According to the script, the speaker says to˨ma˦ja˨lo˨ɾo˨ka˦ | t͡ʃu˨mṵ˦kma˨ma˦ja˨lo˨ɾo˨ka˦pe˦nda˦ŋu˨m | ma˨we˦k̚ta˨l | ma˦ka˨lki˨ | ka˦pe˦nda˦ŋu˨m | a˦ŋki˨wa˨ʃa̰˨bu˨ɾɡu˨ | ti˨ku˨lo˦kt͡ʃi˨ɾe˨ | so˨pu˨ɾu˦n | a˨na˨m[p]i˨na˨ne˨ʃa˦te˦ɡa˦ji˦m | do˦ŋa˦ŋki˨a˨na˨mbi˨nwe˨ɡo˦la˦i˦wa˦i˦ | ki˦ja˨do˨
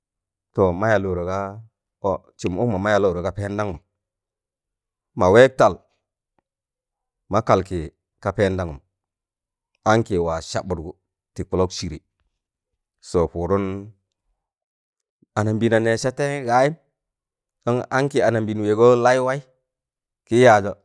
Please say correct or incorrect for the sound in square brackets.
incorrect